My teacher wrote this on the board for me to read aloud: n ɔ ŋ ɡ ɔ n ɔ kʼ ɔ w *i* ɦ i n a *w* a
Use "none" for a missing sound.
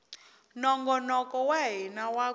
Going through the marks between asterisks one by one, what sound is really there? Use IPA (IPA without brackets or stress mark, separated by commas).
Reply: a, w